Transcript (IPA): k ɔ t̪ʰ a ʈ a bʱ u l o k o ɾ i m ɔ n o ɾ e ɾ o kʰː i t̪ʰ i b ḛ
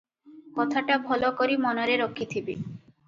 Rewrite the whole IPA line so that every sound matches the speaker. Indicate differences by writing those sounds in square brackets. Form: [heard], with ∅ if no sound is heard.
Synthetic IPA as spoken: k ɔ t̪ʰ a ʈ a bʱ [ɔ] l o k o ɾ i m ɔ n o ɾ e ɾ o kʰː i t̪ʰ i b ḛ